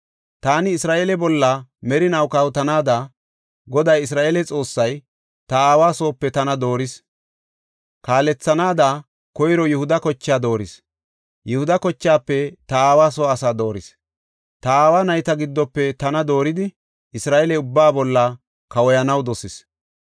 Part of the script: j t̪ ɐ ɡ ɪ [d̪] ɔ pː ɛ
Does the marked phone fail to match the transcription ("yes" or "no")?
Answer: yes